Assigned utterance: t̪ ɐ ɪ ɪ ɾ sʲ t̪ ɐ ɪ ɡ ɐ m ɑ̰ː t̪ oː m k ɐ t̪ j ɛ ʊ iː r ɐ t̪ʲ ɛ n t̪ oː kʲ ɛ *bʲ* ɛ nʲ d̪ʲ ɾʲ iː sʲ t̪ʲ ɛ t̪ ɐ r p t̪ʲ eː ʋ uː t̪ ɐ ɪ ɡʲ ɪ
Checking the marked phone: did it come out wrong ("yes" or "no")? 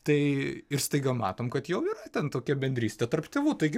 no